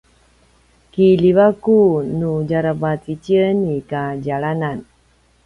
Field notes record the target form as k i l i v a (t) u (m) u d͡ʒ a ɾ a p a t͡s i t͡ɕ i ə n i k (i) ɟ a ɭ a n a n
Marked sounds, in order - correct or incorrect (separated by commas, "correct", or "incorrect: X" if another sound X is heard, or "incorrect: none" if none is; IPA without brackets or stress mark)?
incorrect: k, incorrect: n, incorrect: a